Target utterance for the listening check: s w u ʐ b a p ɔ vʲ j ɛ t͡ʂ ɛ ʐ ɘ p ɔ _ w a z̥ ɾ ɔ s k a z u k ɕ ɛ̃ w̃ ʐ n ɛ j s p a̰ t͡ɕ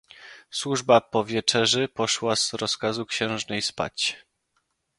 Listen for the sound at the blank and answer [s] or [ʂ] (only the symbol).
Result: ʂ